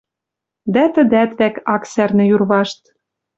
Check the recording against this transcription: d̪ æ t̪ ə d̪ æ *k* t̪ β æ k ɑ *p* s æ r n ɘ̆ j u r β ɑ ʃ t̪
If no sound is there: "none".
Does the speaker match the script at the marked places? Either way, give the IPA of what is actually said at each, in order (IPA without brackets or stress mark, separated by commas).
none, k